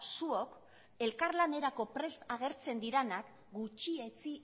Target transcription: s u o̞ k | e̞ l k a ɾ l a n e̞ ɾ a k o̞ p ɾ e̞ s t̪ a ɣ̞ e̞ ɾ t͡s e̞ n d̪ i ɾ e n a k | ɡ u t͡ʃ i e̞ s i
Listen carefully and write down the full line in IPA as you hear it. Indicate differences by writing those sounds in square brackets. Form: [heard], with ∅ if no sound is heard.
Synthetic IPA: s u o̞ k | e̞ l k a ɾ l a n e̞ ɾ a k o̞ p ɾ e̞ s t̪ a ɣ̞ e̞ ɾ t͡s e̞ n d̪ i ɾ e n a k | ɡ u t͡ʃ i e̞ [t͡s] i